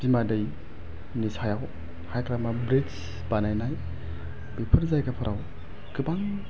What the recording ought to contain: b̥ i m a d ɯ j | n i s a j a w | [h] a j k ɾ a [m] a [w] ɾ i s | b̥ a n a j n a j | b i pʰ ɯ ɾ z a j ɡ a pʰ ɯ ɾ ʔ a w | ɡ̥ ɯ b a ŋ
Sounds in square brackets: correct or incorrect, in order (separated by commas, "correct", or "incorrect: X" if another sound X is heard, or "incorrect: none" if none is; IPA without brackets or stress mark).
correct, correct, incorrect: b